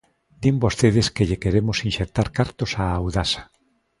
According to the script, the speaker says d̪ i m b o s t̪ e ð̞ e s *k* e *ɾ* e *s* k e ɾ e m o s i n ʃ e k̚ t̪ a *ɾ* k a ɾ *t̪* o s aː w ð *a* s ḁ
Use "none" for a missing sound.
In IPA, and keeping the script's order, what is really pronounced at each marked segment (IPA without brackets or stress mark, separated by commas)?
k, ʎ, none, ɾ, t̪, a